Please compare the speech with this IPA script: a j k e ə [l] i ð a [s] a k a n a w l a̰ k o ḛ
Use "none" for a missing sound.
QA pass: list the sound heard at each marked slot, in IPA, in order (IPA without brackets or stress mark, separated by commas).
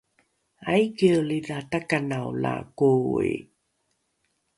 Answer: l, t